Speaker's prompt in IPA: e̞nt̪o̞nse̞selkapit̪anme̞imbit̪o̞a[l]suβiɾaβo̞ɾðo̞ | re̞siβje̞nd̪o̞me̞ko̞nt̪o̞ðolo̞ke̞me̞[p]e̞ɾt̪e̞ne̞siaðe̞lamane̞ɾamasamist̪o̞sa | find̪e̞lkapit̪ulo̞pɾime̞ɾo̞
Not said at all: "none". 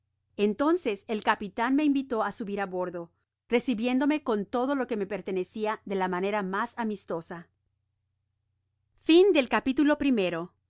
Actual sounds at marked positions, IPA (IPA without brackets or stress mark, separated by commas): none, p